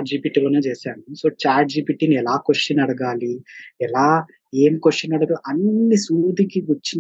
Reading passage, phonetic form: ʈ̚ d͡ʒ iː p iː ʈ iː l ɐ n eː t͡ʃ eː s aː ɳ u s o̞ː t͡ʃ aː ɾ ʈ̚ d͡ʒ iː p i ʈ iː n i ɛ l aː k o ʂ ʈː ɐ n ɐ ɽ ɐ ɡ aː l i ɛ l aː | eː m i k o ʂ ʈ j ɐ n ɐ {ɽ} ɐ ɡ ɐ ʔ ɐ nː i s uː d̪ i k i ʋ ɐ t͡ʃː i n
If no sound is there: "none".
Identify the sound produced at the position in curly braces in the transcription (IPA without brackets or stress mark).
ɽ